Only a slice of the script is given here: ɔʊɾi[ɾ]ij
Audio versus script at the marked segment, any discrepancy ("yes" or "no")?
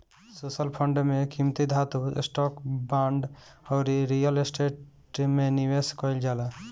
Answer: no